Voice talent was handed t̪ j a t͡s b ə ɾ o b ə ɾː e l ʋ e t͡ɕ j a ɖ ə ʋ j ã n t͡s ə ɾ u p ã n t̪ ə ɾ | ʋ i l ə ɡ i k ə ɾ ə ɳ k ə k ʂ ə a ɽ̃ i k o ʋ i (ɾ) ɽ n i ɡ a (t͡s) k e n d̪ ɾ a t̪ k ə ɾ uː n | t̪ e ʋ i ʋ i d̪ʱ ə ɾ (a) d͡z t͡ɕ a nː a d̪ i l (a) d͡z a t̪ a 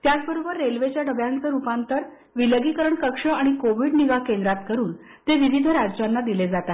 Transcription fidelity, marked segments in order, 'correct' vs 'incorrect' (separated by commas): incorrect, incorrect, correct, incorrect